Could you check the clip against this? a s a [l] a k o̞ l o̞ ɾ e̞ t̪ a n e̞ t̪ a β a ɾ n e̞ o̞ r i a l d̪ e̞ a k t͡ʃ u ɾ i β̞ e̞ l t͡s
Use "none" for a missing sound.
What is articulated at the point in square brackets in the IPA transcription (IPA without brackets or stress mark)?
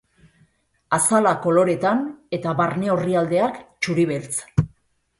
l